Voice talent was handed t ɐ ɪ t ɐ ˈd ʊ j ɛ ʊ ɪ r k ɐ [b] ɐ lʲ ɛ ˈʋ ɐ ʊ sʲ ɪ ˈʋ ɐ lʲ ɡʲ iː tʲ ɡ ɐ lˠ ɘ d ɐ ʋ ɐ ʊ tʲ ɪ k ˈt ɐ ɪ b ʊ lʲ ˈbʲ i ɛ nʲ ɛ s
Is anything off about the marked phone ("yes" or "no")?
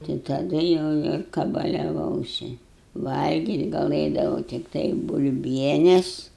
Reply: no